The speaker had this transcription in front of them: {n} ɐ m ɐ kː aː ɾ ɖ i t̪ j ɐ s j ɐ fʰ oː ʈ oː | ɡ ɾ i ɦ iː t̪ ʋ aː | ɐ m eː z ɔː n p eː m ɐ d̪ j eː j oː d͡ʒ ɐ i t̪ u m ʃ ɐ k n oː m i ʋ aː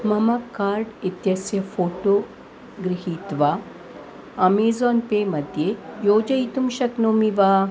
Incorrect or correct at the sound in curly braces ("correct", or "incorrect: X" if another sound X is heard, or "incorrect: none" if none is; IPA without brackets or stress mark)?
incorrect: m